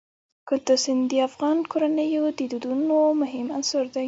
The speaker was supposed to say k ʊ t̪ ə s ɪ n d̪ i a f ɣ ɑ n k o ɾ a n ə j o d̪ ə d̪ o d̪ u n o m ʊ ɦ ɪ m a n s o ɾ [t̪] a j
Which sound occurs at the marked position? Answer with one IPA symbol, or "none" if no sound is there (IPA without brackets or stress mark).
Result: d̪